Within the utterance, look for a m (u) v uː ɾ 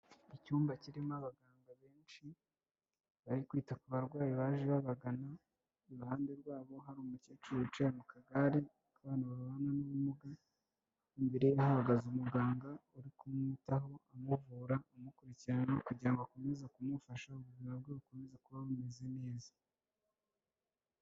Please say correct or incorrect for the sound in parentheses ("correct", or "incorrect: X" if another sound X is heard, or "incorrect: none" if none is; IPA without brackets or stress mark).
correct